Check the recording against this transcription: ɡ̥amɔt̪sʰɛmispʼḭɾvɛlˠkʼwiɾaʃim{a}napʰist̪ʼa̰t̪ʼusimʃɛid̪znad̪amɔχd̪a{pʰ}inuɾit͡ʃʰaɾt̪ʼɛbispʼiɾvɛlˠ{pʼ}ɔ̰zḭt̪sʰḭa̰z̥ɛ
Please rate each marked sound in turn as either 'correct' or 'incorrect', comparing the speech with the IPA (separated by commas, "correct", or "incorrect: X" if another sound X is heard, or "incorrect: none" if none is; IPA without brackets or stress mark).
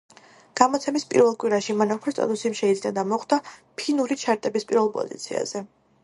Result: correct, correct, correct